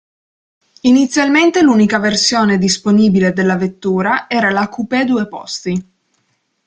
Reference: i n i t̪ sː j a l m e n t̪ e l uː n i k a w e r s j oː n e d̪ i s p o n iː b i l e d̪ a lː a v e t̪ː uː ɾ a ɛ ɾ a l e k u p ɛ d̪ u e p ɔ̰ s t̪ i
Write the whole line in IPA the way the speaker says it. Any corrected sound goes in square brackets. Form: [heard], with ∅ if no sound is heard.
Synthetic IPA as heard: i n i t̪ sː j a l m e n t̪ e l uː n i k a [v] e r s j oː n e d̪ i s p o n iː b i l e d̪ [e] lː a v e t̪ː uː ɾ a [ɛː] ɾ a l [a] k u p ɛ d̪ u e p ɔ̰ s t̪ i